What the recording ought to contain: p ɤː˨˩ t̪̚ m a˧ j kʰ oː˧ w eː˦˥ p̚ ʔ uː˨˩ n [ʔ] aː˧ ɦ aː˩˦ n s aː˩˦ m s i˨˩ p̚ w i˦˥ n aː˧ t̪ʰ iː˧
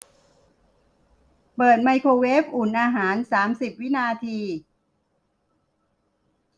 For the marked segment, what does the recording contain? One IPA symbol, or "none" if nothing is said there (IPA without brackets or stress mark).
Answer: ʔ